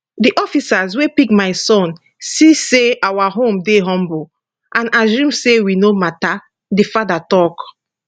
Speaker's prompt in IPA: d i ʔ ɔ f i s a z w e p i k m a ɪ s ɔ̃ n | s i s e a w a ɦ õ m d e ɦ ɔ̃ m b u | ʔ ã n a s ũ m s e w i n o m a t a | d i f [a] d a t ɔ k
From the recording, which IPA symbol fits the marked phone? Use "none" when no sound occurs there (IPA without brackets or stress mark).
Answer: a